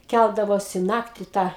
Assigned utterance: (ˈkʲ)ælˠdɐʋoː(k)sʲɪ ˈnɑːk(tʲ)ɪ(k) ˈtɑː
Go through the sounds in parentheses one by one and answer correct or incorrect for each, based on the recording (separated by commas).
correct, incorrect, correct, incorrect